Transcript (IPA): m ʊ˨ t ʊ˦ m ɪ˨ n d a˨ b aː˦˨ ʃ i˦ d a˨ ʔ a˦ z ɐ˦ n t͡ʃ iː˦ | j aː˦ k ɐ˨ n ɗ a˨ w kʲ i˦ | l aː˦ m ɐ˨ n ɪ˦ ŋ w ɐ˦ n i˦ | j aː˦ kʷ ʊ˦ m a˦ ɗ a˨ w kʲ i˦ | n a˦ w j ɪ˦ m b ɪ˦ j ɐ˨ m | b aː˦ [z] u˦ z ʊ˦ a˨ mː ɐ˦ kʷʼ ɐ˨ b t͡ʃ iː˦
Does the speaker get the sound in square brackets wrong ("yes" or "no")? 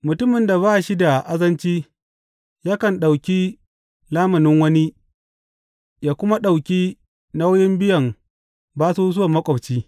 yes